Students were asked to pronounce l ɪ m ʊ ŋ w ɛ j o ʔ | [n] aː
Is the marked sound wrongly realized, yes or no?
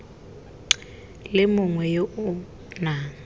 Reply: no